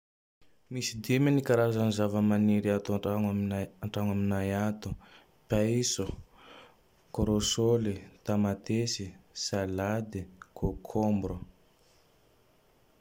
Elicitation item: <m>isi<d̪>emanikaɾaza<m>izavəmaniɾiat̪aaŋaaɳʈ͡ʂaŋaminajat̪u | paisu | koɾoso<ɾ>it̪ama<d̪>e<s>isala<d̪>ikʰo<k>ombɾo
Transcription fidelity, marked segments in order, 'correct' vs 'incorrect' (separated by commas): correct, correct, incorrect, incorrect, incorrect, correct, correct, incorrect